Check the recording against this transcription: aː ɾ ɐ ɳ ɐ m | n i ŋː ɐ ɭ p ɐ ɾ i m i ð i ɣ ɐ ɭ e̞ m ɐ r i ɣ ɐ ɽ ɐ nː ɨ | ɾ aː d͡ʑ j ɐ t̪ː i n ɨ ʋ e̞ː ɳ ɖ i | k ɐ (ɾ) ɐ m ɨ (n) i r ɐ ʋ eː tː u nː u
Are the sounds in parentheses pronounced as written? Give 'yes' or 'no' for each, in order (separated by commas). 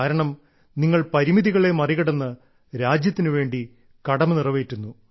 no, yes